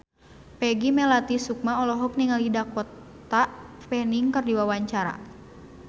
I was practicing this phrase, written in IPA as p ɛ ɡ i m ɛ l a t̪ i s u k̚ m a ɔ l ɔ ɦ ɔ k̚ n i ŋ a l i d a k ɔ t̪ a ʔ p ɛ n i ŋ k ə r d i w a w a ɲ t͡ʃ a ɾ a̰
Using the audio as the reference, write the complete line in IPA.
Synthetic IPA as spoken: p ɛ ɡ i m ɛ l a t̪ i s u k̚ m a ɔ l ɔ ɦ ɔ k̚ n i ŋ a l i d a k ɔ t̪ a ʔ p ɛ n i ŋ k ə r d i w a w a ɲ t͡ʃ a ɾ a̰